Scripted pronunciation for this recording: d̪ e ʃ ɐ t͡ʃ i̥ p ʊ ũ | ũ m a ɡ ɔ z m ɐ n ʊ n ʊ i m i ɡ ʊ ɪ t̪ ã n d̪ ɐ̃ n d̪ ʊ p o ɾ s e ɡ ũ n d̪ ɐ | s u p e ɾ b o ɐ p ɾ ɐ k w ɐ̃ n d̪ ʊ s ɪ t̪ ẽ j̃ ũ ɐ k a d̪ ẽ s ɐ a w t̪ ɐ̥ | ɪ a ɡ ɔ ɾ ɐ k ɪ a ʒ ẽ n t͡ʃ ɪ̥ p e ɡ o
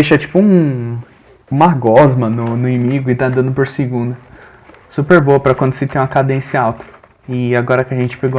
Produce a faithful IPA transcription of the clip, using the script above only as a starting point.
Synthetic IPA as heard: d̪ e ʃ ɐ t͡ʃ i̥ p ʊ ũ | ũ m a ɡ ɔ z m ɐ n ʊ n ʊ i m i ɡ ʊ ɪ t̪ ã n d̪ ɐ̃ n d̪ ʊ p o ɾ s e ɡ ũ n d̪ ɐ | s u p e ɾ b o ɐ p ɾ ɐ k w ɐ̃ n d̪ ʊ s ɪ t̪ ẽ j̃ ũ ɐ k a d̪ ẽ s ɐ a w t̪ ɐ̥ | ɪ a ɡ ɔ ɾ ɐ k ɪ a ʒ ẽ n t͡ʃ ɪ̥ p e ɡ o

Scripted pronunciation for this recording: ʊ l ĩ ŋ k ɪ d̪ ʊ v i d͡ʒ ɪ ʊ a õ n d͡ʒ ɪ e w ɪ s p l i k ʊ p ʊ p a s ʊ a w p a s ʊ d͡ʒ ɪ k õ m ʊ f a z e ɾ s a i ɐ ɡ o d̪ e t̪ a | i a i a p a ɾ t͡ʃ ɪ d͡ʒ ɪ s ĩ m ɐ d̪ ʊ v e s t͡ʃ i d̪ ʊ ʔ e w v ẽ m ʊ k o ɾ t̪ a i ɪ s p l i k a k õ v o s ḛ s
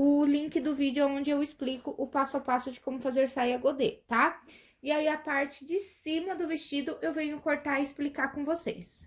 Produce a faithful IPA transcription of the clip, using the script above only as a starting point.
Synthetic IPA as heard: ʊ l ĩ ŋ k ɪ d̪ ʊ v i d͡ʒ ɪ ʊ a õ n d͡ʒ ɪ e w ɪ s p l i k ʊ ʔ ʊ p a s ʊ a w p a s ʊ d͡ʒ ɪ k õ m ʊ f a z e ɾ s a i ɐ ɡ o d̪ e t̪ a | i a i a p a ɾ t͡ʃ ɪ d͡ʒ ɪ s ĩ m ɐ d̪ ʊ v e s t͡ʃ i d̪ ʊ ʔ e w v ẽ ɲ ʊ k o ɾ t̪ a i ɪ s p l i k a k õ v o s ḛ s

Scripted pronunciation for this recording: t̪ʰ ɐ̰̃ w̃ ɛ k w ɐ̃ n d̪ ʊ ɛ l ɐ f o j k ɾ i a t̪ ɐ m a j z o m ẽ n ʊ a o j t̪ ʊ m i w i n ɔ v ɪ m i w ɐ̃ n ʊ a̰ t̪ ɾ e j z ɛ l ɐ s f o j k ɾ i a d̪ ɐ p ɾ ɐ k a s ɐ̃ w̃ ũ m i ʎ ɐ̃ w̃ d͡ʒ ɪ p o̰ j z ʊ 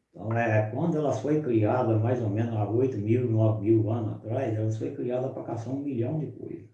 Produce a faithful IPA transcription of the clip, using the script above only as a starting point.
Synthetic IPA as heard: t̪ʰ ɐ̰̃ w̃ ɛ k w ɐ̃ n d̪ ʊ ɛ l ɐ f o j k ɾ i a d̪ ɐ m a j z o m ẽ n ʊ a o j t̪ ʊ m i w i n ɔ v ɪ m i w ɐ̃ n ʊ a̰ t̪ ɾ a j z ɛ l ɐ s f o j k ɾ i a d̪ ɐ p ɾ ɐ k a s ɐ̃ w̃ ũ m i ʎ ɐ̃ w̃ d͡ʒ ɪ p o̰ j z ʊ

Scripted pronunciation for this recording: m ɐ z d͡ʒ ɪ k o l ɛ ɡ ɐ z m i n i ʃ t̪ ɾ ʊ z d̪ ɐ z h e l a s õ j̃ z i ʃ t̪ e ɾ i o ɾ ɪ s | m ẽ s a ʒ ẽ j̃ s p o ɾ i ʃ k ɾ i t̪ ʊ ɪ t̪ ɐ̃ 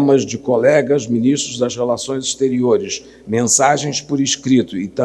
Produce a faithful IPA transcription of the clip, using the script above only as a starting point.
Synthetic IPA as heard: m ɐ z d͡ʒ ɪ k o l ɛ ɡ ɐ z m i n i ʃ t̪ ɾ ʊ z d̪ ɐ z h e l a s õ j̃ z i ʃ t̪ e ɾ i o ɾ ɪ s | m ẽ s a ʒ ẽ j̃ s p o ɾ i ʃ k ɾ i t̪ ʊ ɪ t̪ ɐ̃

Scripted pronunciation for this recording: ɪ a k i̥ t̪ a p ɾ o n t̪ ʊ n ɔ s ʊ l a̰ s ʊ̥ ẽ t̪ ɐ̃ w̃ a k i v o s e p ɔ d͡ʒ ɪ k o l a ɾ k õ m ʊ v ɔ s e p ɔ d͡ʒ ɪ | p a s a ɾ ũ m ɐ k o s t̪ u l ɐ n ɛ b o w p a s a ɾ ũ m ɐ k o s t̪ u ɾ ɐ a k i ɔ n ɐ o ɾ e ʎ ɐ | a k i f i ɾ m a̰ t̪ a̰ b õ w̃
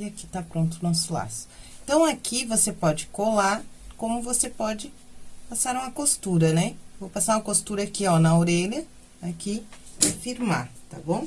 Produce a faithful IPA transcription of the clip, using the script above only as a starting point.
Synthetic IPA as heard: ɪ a k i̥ t̪ a p ɾ õ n t̪ ʊ n ɔ s ʊ l a̰ s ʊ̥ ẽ t̪ ɐ̃ w̃ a k i v o s e p ɔ d͡ʒ ɪ k o l a ɾ k õ m ʊ v o s e p ɔ d͡ʒ ɪ | p a s a ɾ ũ m ɐ k o s t̪ u ɾ ɐ n ɛ v o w p a s a ɾ ũ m ɐ k o s t̪ u ɾ ɐ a k i ɔ n ɐ o ɾ e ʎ ɐ | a k i f i ɾ m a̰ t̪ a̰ b õ w̃

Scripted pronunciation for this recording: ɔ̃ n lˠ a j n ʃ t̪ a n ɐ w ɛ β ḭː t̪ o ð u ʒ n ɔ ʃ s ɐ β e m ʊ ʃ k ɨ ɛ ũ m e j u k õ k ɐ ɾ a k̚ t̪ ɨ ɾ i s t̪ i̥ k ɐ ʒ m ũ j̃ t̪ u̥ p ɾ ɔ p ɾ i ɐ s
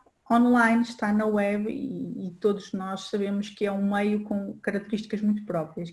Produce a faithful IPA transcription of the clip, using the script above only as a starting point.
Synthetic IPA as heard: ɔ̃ n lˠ a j n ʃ t̪ a n ɐ w ɛ β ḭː t̪ o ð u ʒ n ɔ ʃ s ɐ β e m ʊ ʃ k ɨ ɛ ũ m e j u k õ k ɐ ɾ ɐ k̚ t̪ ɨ ɾ i ʃ t̪ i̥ k ɐ ʒ m ũ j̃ t̪ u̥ p ɾ ɔ p ɾ i ɐ ʃ

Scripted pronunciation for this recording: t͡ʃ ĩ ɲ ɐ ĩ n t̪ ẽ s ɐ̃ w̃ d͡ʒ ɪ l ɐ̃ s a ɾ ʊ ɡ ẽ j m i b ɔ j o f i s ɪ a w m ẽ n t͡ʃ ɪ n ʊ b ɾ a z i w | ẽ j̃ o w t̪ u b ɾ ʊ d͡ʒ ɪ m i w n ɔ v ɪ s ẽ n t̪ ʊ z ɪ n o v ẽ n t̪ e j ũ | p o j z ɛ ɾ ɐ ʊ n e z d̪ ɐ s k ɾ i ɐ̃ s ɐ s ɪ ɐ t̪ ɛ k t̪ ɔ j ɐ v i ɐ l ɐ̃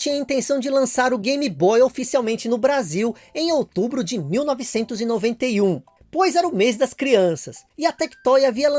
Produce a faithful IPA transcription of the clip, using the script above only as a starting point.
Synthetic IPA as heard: t͡ʃ ĩ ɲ ɐ ĩ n t̪ ẽ s ɐ̃ w̃ d͡ʒ ɪ l ɐ̃ s a ɾ ʊ ɡ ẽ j m i b ɔ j o f i s i a w m ẽ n t͡ʃ ɪ n ʊ b ɾ a z i w | ẽ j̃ o w t̪ u b ɾ ʊ d͡ʒ ɪ m i w n ɔ v ɪ s ẽ n t̪ ʊ z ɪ n o v ẽ n t̪ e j ũ | p o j z ɛ ɾ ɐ ʊ m e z d̪ ɐ s k ɾ i ɐ̃ s ɐ s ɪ ɐ t̪ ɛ k t̪ ɔ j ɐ v i ɐ l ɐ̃

